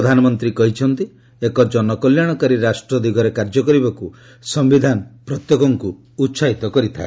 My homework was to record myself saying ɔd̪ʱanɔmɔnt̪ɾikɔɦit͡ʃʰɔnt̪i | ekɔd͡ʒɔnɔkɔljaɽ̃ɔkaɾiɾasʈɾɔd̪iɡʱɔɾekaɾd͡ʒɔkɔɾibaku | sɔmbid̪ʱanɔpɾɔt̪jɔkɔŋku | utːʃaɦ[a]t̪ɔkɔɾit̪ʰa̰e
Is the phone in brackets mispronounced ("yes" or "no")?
yes